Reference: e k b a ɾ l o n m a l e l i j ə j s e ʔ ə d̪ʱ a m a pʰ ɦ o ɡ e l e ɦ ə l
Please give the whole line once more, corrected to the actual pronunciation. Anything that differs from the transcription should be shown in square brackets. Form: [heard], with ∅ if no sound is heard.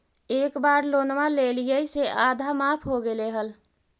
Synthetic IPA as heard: e k b a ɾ l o n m a l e l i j ə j s e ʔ [a] d̪ʱ a m a pʰ ɦ o ɡ e l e ɦ ə l